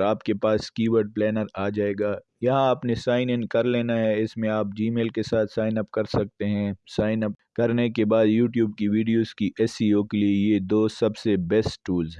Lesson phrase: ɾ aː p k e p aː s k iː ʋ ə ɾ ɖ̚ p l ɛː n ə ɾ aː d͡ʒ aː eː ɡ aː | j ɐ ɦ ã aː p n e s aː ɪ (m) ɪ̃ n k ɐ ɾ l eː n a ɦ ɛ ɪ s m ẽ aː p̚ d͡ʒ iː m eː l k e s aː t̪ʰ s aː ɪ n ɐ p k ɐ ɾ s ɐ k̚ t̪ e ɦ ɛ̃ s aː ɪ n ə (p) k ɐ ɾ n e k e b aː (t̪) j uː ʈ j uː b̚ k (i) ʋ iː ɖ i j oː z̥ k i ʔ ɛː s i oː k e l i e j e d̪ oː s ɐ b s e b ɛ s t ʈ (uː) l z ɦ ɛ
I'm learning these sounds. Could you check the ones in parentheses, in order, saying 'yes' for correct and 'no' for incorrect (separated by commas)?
no, yes, no, yes, yes